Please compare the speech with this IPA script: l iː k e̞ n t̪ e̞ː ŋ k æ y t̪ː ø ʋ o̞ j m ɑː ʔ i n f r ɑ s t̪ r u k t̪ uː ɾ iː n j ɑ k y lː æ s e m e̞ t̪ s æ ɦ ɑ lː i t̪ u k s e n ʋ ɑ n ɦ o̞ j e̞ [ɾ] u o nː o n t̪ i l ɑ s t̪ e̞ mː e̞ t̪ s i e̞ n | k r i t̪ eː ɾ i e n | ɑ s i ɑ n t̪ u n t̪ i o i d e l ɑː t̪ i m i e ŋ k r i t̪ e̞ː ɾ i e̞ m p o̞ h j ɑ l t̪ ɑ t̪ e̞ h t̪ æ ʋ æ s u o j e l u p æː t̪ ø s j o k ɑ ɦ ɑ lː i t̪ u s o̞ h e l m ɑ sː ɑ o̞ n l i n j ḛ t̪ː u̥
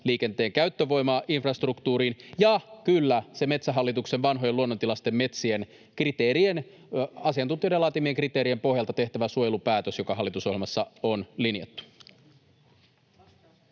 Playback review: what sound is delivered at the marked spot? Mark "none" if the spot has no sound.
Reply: l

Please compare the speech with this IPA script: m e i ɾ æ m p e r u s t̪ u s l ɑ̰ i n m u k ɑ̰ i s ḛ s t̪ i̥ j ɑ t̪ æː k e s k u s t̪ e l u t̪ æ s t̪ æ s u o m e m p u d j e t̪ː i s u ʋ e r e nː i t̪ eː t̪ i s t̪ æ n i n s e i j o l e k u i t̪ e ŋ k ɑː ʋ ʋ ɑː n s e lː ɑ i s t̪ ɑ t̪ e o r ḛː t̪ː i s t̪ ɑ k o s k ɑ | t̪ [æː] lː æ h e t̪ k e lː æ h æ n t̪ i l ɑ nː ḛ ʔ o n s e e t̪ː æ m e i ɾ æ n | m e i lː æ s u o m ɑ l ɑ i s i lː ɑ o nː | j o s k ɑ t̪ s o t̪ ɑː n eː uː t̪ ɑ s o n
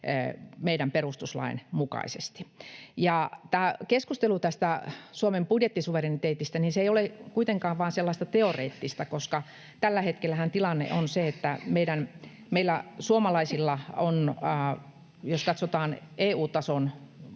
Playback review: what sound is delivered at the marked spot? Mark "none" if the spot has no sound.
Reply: æ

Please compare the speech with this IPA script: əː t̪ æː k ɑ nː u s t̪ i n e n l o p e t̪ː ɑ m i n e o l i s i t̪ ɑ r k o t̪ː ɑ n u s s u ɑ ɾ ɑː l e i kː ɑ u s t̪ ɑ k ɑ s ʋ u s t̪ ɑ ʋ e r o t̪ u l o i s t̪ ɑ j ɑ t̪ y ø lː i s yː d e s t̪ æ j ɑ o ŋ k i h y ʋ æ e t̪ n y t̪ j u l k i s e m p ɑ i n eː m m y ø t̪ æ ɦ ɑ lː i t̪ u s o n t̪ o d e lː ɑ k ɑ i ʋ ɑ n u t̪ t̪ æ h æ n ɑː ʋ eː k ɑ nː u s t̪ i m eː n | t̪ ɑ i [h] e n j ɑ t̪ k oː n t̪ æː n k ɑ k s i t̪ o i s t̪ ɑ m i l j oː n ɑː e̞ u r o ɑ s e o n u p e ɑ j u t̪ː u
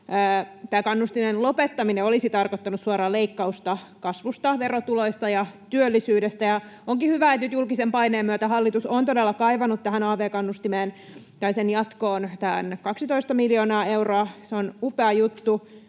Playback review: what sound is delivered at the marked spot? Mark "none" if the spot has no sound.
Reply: s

